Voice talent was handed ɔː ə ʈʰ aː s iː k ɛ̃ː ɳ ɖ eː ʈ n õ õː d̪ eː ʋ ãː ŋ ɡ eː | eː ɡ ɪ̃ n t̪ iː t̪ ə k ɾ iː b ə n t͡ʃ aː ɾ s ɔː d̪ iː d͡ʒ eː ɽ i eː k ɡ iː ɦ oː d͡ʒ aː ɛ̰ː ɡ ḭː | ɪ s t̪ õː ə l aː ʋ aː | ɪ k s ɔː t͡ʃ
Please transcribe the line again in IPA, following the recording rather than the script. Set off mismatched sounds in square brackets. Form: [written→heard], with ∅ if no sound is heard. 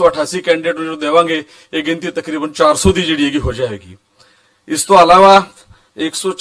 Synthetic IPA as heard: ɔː ə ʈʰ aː s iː k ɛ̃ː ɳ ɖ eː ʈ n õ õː d̪ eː ʋ ãː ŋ ɡ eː | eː ɡ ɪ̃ n t̪ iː t̪ ə k ɾ iː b ə n t͡ʃ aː ɾ s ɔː d̪ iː d͡ʒ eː ɽ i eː [k→∅] ɡ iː ɦ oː d͡ʒ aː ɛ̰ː ɡ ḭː | ɪ s t̪ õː ə l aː ʋ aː | ɪ k s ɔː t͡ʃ